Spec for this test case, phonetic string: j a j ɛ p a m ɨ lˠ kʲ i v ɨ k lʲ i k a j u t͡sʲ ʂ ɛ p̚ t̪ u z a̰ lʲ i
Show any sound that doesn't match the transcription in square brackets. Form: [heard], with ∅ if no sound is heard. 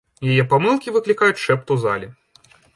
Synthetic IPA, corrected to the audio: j a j ɛ p a m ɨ lˠ kʲ i v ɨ k lʲ i k a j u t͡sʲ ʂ ɛ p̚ t̪ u z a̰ lʲ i